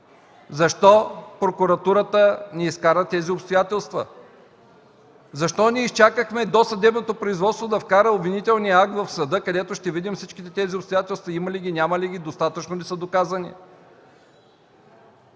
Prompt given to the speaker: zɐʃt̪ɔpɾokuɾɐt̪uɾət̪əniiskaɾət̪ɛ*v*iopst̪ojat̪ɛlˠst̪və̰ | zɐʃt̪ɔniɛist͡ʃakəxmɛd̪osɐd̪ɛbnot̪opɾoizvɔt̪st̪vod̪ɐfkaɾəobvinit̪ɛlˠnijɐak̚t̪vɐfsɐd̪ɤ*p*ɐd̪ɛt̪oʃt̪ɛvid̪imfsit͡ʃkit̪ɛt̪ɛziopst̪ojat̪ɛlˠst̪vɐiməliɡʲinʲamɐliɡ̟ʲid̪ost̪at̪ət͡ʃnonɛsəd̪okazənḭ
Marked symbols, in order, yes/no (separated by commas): no, no